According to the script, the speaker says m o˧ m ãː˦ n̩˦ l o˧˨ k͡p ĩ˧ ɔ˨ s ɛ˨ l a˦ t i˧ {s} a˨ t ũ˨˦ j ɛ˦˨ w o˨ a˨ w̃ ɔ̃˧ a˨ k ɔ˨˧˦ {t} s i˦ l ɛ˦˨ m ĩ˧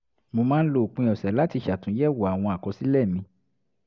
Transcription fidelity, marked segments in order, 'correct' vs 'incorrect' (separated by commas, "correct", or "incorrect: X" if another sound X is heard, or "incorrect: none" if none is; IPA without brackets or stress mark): incorrect: ʃ, incorrect: none